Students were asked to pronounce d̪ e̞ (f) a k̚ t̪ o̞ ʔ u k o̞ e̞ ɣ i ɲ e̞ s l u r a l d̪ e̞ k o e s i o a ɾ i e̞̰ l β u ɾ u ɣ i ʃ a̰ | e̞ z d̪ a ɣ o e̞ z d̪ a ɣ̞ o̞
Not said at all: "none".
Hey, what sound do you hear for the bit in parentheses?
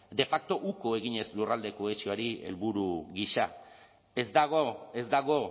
f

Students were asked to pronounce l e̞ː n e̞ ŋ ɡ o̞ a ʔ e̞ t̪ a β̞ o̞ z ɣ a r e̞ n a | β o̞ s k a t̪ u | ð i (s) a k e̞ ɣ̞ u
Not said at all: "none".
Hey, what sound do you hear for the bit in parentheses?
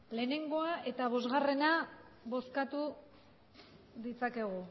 t͡s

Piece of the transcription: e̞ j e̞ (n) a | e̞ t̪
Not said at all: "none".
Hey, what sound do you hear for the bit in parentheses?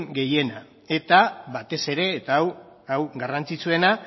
n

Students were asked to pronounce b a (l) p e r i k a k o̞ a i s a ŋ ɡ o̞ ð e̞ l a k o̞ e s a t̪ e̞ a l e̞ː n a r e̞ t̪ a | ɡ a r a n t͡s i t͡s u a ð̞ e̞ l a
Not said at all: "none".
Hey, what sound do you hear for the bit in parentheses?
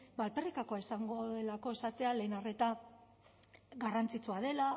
l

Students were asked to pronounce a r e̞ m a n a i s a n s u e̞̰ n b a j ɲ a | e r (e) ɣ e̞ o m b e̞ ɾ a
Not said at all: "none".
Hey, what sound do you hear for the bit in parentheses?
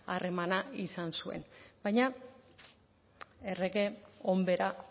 e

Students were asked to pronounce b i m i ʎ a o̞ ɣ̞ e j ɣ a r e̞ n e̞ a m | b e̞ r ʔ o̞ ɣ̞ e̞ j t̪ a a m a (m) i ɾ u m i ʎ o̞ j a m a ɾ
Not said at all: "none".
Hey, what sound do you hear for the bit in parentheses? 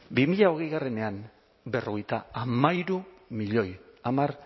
none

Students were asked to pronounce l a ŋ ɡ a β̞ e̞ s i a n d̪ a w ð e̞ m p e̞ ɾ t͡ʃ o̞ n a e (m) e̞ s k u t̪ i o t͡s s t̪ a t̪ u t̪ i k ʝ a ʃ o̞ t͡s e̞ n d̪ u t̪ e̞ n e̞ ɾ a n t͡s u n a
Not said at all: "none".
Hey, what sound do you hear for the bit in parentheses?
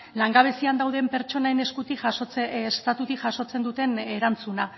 n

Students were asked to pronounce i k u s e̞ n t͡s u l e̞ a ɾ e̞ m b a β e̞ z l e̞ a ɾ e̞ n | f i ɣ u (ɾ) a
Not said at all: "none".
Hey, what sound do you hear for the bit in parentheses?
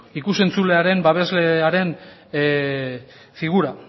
ɾ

